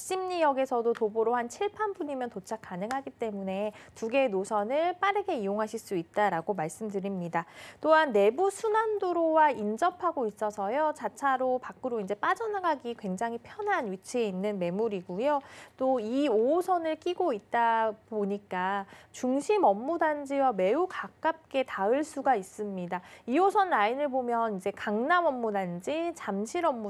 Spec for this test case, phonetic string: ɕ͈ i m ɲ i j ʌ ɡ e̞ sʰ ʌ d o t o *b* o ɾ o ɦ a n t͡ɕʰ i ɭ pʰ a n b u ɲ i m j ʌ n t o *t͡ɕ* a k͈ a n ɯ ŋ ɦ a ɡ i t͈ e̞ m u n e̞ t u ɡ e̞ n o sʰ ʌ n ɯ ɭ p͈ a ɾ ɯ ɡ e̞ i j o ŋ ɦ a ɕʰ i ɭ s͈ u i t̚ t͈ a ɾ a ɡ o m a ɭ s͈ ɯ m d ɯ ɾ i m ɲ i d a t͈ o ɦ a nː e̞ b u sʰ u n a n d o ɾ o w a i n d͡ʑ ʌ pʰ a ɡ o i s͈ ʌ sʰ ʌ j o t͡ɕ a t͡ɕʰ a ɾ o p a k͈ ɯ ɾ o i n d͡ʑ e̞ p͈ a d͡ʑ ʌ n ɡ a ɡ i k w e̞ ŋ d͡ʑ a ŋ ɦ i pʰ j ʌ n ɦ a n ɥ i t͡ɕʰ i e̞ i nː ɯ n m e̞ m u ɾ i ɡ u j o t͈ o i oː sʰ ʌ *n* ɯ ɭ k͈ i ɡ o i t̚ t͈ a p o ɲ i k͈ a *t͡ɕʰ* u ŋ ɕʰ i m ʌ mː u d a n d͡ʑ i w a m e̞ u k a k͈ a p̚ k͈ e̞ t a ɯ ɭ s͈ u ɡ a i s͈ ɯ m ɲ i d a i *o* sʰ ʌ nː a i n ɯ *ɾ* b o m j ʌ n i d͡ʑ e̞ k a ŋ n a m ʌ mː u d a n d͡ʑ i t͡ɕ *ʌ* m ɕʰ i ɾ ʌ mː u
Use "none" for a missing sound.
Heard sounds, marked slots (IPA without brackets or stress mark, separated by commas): b, t͡ɕʰ, n, t͡ɕ, o, ɭ, a